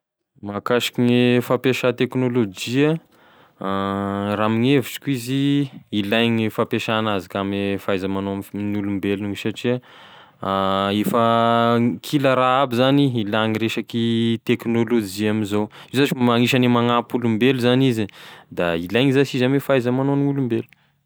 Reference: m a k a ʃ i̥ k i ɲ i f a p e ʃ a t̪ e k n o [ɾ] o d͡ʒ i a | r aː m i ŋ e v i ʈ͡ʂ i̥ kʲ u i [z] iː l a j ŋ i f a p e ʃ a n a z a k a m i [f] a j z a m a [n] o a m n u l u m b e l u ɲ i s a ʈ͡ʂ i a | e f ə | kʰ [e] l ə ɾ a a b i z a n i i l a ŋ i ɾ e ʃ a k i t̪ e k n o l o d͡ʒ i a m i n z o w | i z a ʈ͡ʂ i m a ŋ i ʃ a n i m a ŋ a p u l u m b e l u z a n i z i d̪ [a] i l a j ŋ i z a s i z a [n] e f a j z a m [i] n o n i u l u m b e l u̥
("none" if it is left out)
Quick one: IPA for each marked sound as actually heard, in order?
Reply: l, z, f, n, i, a, m, a

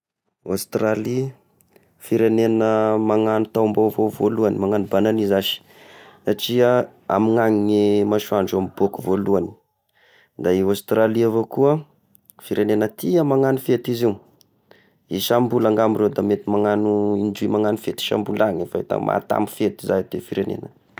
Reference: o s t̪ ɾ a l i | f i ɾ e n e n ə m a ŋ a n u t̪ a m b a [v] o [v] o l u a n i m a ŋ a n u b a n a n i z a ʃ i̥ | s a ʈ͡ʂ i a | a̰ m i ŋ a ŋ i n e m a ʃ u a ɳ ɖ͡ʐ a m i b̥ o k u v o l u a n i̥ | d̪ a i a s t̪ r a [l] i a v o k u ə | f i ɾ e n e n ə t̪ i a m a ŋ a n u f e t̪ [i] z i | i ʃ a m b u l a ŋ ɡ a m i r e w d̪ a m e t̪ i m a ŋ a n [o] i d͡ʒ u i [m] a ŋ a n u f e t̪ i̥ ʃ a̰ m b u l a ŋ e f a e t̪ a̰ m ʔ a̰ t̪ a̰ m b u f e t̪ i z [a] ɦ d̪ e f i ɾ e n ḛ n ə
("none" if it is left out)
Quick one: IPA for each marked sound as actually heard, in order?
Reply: v, v, l, i, u, m, a

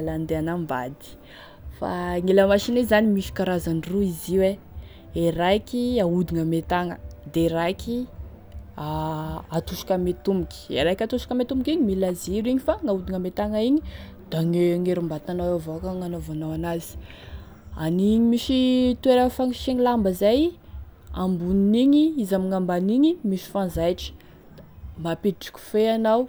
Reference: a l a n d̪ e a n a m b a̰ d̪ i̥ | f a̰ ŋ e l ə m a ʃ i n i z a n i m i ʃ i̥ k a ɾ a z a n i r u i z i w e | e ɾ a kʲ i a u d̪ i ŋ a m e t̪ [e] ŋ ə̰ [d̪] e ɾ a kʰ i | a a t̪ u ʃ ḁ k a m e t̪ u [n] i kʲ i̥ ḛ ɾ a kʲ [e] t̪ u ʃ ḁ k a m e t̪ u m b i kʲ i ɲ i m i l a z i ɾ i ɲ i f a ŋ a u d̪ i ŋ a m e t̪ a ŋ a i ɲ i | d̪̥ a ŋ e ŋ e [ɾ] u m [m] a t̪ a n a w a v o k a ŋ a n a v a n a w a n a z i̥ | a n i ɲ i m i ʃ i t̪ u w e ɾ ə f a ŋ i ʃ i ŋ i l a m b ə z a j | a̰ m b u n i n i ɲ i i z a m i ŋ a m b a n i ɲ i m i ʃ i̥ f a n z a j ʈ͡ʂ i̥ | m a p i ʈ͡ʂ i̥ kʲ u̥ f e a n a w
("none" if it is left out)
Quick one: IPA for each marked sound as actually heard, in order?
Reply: a, d̪, m, a, ɾ, b

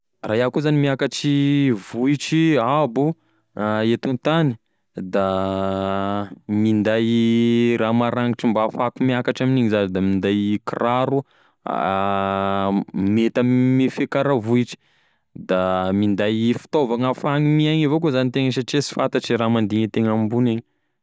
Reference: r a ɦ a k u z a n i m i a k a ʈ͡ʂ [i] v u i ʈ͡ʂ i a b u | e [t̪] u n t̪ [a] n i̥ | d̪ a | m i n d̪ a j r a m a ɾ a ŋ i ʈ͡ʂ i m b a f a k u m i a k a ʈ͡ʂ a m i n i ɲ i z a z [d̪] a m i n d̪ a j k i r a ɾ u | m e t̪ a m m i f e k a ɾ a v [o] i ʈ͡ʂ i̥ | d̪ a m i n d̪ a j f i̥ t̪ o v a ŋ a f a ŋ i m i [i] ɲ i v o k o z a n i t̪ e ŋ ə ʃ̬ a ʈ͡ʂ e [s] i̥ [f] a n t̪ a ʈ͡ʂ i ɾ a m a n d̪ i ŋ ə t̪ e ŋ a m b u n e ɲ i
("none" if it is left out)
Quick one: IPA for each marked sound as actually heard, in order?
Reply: i, t̪, a, d̪, u, a, s, f

